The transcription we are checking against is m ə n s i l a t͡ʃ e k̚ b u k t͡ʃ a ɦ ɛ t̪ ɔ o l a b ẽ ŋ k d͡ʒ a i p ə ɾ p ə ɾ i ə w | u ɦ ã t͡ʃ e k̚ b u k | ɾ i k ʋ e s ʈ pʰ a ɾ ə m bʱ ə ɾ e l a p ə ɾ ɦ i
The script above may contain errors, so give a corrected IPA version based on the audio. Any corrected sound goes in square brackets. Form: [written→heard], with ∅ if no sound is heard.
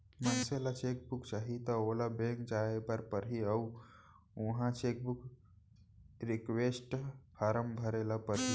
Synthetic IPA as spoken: m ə n s [i→e] l a t͡ʃ e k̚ b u k t͡ʃ a ɦ [ɛ→i] t̪ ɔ o l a b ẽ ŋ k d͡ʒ a [i→e] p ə ɾ p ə ɾ i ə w | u ɦ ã t͡ʃ e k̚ b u k | ɾ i k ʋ e s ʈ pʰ a ɾ ə m bʱ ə ɾ e l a p ə ɾ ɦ i